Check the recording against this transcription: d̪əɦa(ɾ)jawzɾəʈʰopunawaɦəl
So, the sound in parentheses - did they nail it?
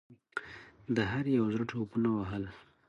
yes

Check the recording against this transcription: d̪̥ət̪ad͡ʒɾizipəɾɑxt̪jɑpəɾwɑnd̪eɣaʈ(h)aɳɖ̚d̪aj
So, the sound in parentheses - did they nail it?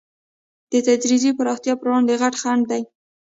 no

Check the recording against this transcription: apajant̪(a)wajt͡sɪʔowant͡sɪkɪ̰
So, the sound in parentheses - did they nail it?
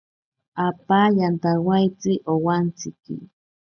yes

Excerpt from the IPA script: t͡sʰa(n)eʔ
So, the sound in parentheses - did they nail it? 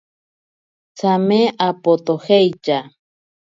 no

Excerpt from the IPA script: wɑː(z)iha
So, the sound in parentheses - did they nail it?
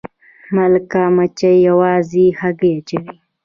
yes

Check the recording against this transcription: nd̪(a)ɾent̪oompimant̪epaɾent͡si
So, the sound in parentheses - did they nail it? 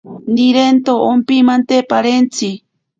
no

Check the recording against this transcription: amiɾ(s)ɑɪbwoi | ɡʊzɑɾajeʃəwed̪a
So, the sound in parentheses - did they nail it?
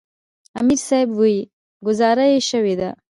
yes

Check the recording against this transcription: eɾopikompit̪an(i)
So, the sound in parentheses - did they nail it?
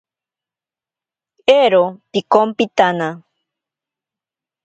no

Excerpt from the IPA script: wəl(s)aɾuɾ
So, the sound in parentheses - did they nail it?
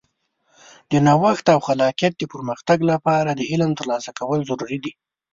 no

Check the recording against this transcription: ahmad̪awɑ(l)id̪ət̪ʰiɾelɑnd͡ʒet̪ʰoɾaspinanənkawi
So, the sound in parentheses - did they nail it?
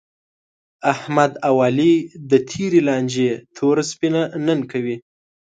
yes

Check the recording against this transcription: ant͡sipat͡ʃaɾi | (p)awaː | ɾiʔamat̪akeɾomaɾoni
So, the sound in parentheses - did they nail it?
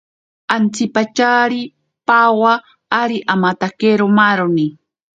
yes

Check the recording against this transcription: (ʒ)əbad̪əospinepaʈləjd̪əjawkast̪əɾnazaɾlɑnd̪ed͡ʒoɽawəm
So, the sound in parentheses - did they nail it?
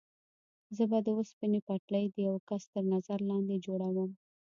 no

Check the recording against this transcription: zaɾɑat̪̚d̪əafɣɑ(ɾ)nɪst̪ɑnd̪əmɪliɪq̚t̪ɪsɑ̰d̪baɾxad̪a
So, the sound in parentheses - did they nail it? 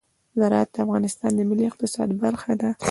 no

